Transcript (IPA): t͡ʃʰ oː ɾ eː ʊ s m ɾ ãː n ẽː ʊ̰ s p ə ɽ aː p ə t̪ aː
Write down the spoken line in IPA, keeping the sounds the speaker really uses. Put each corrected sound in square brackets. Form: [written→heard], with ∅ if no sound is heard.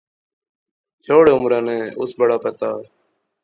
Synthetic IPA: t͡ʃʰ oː [ɾ→ɽ] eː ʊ [s→∅] m ɾ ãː n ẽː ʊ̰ s [p→b] ə ɽ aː p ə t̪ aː